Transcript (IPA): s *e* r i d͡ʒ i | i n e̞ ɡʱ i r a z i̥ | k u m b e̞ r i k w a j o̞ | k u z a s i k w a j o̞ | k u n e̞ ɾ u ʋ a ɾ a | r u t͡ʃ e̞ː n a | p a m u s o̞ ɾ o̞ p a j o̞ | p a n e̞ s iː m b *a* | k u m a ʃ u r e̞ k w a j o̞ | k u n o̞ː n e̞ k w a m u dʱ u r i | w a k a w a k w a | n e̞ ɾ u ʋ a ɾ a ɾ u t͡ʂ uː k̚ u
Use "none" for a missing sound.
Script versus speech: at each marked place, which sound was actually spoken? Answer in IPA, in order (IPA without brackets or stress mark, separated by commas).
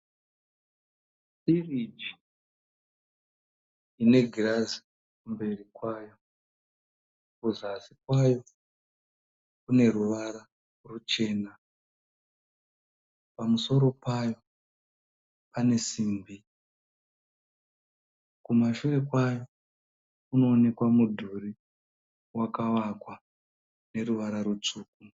i, i